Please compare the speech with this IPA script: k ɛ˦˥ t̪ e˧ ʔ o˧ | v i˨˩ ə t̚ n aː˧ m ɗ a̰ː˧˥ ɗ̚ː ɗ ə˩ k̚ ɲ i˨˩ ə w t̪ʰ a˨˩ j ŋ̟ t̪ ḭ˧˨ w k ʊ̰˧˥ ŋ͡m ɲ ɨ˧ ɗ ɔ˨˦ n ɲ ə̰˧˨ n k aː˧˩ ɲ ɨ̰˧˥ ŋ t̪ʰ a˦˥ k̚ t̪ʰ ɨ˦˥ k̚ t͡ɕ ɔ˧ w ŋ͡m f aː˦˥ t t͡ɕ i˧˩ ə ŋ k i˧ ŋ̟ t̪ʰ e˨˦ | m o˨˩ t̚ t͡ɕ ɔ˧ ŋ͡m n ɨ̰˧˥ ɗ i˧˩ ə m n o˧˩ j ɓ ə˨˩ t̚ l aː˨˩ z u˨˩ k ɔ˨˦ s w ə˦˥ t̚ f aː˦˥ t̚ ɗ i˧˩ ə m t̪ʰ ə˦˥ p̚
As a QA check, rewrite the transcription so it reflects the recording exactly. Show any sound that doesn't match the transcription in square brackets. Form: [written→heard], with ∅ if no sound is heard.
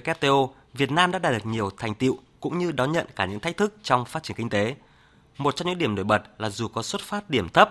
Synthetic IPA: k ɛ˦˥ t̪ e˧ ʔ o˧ | v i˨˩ ə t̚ n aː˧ m ɗ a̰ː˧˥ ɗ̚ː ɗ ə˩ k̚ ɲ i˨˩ ə w t̪ʰ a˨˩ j ŋ̟ t̪ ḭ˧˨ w k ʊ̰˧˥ ŋ͡m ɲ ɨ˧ ɗ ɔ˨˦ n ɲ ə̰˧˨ n k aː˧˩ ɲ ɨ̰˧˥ ŋ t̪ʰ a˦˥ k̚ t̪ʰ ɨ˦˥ k̚ t͡ɕ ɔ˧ w ŋ͡m f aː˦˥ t t͡ɕ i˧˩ ə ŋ k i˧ ŋ̟ [t̪ʰ→t̪] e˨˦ | m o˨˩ t̚ t͡ɕ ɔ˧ ŋ͡m [n→ɲ] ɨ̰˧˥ ɗ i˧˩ ə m n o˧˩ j ɓ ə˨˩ t̚ l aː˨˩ z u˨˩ k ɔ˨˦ s w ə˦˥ t̚ f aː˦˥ t̚ ɗ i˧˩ ə m t̪ʰ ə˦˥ p̚